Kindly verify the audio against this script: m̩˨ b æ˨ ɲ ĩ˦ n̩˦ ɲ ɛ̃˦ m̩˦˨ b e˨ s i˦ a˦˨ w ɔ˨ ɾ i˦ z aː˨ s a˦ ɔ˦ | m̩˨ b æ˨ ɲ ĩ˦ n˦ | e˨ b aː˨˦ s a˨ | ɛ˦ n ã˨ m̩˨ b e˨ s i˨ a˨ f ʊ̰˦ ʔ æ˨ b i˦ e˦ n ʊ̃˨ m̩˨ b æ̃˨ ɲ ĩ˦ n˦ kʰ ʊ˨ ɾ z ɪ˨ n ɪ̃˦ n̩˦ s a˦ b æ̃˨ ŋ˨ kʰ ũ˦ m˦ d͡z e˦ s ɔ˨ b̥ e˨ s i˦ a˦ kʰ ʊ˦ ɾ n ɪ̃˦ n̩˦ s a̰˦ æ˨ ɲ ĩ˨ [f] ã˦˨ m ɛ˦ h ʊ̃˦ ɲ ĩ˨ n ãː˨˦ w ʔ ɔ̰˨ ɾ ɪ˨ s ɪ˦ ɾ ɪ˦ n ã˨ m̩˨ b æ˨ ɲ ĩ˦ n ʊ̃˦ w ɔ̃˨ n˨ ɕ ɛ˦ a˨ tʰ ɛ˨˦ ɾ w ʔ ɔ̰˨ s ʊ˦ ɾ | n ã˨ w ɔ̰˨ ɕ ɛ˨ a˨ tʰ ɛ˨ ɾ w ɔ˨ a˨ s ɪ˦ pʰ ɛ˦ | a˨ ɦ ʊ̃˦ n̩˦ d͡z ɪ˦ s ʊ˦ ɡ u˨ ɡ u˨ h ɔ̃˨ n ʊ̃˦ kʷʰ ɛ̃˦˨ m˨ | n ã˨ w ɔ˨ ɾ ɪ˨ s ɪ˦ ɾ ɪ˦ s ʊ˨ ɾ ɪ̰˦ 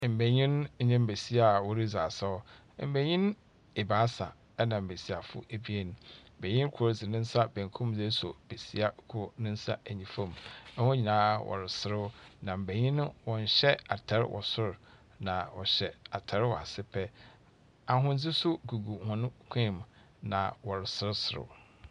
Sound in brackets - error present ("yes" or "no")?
no